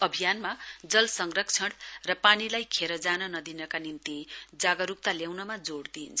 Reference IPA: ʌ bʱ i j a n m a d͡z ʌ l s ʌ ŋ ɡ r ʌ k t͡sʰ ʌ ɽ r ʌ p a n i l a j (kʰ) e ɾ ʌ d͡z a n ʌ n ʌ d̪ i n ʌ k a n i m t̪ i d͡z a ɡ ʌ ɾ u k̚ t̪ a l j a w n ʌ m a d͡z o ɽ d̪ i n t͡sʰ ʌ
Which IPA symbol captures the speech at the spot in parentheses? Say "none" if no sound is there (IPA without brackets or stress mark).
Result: kʰ